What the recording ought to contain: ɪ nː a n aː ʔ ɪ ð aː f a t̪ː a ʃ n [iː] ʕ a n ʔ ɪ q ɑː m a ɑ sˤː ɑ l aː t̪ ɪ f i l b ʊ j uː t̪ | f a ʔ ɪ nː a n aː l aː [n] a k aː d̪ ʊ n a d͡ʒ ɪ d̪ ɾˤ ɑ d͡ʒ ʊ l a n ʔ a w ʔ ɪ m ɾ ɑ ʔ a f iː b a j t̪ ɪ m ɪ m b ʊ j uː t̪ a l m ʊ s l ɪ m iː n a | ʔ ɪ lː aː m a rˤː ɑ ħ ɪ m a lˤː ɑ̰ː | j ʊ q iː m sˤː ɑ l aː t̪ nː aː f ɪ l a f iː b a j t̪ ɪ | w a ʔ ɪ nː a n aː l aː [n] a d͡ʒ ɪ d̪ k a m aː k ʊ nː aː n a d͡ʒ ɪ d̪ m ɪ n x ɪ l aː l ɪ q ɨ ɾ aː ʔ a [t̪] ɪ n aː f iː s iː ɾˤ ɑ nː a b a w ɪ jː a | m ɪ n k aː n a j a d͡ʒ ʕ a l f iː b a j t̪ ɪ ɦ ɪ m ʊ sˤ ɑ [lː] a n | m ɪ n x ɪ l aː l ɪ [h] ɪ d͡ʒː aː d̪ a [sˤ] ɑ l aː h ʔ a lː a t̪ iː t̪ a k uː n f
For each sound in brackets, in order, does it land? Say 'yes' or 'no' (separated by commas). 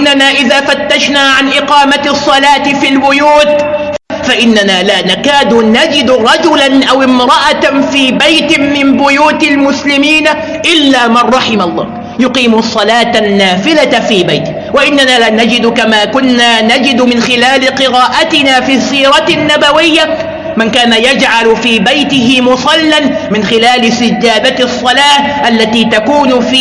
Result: no, yes, yes, yes, yes, no, no